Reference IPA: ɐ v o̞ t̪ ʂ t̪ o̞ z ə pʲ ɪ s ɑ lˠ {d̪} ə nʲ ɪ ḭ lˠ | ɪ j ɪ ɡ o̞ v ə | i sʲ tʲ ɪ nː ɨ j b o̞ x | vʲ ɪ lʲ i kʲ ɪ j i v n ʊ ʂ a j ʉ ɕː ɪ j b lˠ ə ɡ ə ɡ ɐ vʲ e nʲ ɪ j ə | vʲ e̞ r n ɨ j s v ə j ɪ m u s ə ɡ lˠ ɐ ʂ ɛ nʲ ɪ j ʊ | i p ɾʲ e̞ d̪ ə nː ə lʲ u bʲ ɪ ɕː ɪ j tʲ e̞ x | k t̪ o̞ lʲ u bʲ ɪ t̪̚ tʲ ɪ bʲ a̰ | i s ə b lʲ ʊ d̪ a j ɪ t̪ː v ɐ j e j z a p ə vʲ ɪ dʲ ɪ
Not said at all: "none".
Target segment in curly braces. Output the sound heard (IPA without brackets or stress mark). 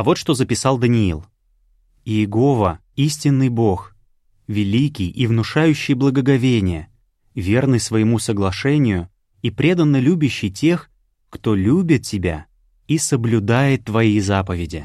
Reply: d̪